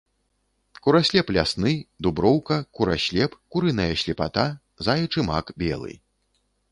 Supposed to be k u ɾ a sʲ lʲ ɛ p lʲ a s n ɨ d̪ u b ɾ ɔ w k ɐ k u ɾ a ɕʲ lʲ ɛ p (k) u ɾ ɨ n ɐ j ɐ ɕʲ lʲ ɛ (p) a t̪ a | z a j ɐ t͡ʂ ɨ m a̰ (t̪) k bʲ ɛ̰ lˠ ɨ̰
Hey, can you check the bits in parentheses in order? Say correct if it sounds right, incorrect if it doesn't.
correct, correct, incorrect: none

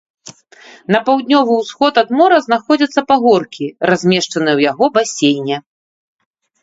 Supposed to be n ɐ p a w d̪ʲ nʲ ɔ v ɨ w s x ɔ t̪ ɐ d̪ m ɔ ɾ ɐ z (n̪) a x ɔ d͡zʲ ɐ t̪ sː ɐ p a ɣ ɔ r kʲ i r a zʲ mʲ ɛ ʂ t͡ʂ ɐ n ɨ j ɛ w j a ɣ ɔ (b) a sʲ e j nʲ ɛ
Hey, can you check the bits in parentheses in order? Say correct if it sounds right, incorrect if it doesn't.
correct, correct

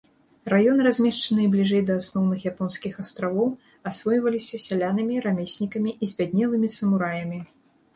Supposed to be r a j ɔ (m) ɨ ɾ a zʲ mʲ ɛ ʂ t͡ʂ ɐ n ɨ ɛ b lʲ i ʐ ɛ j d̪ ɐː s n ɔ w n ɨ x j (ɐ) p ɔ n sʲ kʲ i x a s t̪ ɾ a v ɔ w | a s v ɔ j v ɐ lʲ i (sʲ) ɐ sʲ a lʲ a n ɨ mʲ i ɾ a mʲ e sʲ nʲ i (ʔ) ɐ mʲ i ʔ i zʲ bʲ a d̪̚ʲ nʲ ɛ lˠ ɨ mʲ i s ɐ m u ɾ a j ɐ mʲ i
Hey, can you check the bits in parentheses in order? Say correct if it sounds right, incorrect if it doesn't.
incorrect: n, incorrect: a, correct, incorrect: k

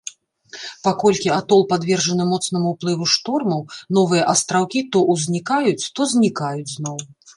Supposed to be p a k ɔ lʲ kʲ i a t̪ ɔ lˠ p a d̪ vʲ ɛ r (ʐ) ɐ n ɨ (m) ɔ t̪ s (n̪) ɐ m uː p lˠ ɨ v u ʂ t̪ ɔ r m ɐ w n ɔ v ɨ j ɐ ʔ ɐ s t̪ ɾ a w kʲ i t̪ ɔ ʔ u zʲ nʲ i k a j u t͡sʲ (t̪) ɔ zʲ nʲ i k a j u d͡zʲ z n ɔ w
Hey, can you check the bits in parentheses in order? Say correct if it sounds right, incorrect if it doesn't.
correct, correct, correct, correct

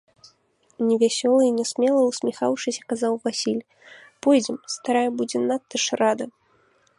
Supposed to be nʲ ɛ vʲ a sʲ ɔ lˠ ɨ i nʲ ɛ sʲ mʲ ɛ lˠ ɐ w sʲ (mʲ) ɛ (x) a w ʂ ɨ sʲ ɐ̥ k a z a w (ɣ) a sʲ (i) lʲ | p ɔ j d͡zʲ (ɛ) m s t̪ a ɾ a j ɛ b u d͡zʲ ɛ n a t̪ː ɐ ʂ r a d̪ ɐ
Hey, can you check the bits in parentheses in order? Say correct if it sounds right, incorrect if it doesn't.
correct, correct, incorrect: v, correct, correct

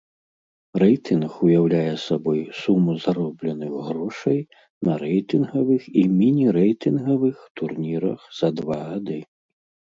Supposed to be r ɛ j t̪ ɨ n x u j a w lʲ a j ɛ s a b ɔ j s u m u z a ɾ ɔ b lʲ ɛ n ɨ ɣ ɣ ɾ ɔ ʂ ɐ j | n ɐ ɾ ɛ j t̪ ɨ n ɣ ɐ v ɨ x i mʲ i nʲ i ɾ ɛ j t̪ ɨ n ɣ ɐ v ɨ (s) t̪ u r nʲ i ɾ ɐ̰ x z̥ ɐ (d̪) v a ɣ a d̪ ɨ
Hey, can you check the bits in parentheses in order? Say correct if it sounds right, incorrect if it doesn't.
incorrect: x, correct

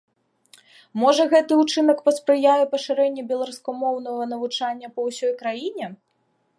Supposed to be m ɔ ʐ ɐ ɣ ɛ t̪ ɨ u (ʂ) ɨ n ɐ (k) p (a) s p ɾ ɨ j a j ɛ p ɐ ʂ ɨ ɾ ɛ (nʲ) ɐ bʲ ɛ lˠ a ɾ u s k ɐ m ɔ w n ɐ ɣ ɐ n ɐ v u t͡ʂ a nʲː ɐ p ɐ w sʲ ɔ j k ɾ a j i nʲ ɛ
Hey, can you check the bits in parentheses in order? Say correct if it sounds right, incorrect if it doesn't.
incorrect: t͡ʂ, correct, incorrect: ɐ, incorrect: nʲː

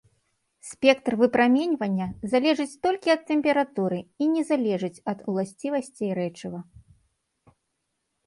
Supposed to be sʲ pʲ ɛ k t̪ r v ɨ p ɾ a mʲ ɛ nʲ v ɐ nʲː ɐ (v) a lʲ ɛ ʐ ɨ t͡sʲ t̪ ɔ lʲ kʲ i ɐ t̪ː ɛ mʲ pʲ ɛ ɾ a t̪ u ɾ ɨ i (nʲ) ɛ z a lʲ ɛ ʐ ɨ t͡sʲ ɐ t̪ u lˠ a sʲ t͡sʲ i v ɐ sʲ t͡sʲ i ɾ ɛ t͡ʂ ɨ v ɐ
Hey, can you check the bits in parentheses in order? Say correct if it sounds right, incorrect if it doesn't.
incorrect: z, correct

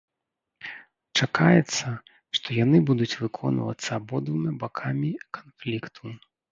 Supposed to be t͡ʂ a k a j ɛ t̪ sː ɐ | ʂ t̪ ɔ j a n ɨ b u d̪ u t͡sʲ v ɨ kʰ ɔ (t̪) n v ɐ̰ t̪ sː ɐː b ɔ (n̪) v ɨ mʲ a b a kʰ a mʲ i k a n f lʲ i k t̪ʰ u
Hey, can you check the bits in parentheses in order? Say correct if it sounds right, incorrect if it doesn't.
incorrect: none, incorrect: d̪

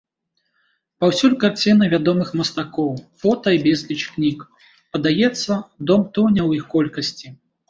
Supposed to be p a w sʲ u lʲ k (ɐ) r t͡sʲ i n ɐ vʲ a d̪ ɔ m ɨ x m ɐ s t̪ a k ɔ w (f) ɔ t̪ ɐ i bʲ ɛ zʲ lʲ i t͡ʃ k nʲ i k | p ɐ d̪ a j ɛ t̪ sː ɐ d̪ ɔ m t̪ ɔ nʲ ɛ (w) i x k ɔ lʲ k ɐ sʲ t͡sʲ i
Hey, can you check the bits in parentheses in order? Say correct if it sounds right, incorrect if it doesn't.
incorrect: a, correct, correct

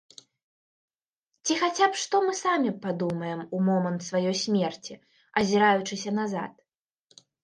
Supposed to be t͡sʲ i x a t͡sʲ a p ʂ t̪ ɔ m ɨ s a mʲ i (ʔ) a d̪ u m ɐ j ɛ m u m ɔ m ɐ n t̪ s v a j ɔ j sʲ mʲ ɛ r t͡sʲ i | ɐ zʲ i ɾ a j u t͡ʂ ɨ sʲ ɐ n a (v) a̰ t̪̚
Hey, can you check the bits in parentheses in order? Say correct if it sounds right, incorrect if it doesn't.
incorrect: p, incorrect: z

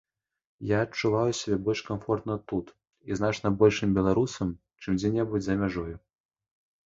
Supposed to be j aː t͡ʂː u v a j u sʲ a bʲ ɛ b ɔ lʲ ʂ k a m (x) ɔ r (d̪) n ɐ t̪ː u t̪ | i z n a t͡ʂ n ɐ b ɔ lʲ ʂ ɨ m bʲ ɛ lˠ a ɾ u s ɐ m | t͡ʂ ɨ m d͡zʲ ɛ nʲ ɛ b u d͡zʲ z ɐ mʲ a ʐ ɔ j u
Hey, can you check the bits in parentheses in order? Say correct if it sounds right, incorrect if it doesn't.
incorrect: f, incorrect: t̪

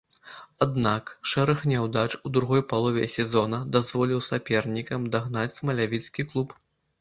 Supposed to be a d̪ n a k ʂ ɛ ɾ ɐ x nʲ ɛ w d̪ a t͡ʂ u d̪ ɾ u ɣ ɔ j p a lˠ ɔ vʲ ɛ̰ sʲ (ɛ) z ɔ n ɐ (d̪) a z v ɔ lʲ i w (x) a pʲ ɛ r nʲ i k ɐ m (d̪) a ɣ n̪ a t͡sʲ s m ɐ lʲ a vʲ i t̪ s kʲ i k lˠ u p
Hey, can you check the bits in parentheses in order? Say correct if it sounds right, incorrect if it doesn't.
correct, correct, incorrect: s, correct

